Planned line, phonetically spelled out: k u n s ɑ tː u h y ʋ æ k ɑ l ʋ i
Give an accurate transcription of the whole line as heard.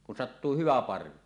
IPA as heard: k u n s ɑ tː uː h y ʋ æ p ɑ r ʋ i